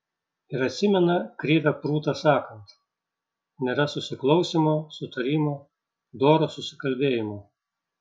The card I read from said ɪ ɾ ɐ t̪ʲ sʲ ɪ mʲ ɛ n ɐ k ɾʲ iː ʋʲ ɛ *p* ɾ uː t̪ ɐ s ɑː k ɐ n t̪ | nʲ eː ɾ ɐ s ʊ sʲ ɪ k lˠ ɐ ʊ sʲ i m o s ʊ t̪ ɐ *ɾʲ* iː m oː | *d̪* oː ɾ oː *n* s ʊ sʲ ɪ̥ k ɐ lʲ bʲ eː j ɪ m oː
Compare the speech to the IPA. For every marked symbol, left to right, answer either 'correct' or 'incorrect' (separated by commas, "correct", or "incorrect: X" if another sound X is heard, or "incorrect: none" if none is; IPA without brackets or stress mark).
correct, correct, correct, incorrect: none